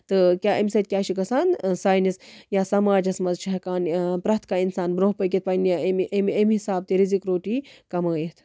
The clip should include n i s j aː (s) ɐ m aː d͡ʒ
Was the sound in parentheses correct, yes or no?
yes